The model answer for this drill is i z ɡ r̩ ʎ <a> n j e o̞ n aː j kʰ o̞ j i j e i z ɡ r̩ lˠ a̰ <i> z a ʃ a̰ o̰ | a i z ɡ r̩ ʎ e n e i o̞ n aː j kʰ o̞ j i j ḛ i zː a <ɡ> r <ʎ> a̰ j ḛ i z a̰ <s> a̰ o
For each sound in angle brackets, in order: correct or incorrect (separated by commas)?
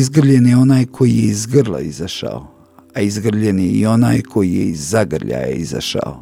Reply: incorrect, correct, correct, correct, incorrect